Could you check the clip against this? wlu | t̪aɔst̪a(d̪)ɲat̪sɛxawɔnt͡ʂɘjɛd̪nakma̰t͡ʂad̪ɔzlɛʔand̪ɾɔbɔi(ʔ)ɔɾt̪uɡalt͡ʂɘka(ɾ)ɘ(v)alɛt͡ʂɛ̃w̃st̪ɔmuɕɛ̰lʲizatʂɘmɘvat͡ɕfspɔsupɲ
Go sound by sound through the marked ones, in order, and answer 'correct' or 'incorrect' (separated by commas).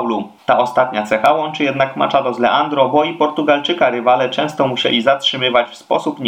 incorrect, incorrect, correct, correct